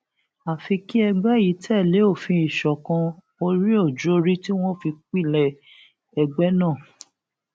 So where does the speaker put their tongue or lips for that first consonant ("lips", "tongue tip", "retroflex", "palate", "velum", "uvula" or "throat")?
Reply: lips